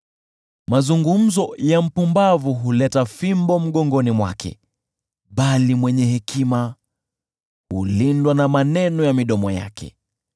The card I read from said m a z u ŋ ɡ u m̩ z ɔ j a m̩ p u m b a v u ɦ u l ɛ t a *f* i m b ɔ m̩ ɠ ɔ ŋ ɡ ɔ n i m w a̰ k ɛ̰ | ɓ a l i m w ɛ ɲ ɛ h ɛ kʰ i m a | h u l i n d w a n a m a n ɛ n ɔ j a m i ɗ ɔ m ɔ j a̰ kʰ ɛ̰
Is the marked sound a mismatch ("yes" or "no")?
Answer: no